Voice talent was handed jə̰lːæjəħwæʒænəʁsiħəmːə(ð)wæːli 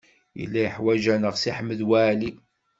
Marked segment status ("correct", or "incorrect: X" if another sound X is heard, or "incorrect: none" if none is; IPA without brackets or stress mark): correct